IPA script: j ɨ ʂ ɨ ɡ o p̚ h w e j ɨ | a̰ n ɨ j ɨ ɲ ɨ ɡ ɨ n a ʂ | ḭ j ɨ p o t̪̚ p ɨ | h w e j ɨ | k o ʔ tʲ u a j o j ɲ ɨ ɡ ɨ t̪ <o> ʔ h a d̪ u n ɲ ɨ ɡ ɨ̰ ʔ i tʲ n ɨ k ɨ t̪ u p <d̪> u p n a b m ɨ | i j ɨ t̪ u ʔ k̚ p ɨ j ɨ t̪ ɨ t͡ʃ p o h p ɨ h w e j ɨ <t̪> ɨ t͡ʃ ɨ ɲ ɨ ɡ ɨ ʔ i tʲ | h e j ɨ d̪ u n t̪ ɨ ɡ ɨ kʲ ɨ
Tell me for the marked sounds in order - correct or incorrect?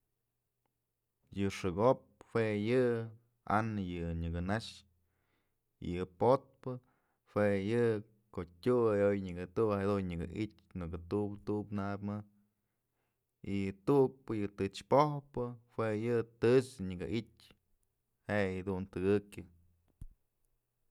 incorrect: u, incorrect: t̪, correct

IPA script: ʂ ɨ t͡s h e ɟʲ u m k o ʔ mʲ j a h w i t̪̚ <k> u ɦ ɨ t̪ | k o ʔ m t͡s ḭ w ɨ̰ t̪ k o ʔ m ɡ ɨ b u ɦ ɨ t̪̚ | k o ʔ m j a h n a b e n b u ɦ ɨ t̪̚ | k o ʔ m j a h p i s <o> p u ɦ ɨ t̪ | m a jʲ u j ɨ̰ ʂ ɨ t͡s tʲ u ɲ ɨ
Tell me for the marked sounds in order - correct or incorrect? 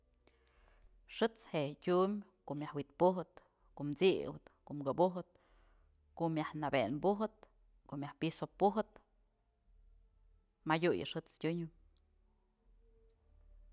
incorrect: p, correct

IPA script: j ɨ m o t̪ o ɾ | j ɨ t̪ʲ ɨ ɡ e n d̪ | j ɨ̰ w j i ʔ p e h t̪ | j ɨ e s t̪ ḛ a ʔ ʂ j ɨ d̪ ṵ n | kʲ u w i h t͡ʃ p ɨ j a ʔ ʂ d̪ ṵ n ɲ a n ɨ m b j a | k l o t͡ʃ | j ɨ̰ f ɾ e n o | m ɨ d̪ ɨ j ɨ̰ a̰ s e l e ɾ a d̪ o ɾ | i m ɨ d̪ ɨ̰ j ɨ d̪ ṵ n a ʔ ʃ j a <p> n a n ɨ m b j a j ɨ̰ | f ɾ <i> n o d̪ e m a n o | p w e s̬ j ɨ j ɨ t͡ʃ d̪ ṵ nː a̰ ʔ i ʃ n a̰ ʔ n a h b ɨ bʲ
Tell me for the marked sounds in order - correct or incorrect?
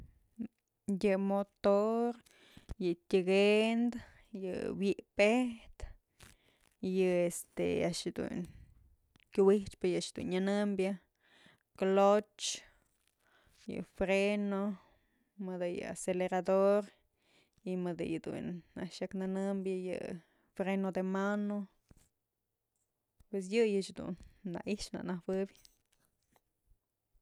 incorrect: k, incorrect: e

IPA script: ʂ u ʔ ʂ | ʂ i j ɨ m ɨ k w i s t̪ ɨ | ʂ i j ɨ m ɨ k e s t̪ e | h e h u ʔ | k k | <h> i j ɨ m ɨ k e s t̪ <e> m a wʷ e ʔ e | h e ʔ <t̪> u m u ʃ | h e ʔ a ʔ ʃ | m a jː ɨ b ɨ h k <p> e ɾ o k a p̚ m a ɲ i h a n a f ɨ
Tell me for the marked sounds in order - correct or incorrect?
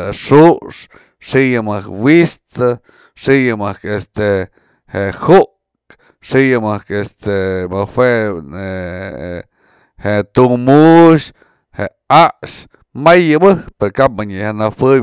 incorrect: ʂ, correct, correct, correct

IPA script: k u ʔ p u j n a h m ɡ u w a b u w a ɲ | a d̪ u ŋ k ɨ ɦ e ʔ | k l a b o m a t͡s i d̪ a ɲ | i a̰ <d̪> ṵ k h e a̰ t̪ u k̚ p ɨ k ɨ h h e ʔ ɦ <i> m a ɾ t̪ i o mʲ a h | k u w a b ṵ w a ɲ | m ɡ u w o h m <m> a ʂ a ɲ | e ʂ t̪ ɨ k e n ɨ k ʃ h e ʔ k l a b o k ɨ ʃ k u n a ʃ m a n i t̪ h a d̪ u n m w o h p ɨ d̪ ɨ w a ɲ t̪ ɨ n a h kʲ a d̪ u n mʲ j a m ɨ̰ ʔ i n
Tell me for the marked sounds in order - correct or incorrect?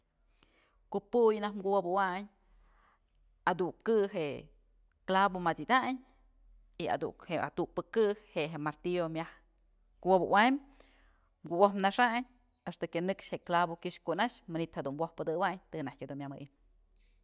correct, incorrect: e, incorrect: n

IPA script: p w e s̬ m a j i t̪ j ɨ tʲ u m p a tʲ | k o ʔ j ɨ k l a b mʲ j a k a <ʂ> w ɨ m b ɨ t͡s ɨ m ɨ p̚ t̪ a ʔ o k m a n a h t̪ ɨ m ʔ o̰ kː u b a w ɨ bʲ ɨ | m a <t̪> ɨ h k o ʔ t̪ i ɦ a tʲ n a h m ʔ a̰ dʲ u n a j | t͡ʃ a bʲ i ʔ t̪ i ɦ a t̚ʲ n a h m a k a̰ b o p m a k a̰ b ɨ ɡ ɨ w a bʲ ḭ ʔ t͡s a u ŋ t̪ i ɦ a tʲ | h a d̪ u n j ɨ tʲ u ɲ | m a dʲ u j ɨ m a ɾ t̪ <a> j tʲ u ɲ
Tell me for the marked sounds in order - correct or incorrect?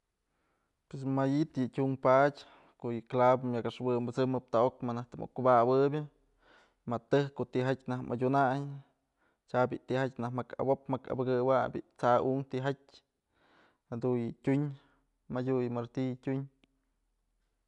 correct, correct, incorrect: i

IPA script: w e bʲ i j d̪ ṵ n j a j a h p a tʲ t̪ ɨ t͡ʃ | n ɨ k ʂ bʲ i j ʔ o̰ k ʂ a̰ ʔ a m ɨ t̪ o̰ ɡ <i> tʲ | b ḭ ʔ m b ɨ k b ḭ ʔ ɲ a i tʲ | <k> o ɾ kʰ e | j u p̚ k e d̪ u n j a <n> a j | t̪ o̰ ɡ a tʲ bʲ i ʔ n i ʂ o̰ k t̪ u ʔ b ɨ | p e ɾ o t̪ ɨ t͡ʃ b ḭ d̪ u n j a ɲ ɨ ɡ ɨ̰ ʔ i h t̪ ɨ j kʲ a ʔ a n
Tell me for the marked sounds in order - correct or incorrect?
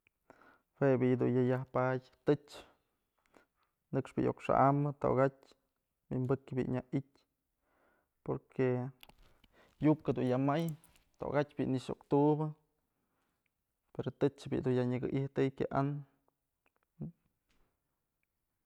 incorrect: a, incorrect: p, incorrect: m

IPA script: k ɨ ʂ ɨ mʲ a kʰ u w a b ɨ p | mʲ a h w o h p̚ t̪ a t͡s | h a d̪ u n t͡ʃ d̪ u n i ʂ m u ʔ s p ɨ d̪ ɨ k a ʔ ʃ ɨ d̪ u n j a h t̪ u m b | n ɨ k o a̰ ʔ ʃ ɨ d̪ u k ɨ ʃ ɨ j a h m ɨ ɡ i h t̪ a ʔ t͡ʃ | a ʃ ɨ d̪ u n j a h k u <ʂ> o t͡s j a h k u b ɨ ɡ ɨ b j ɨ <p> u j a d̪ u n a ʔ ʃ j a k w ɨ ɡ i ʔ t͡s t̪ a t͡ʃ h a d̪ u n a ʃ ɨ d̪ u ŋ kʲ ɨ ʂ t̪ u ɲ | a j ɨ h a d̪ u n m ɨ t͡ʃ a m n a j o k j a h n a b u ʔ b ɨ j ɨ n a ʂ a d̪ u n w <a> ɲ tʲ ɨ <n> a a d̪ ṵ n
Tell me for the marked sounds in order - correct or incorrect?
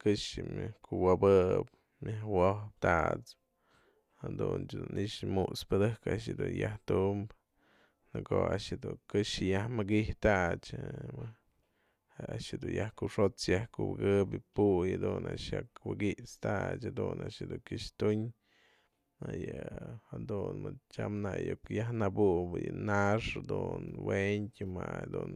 correct, correct, incorrect: e, incorrect: m

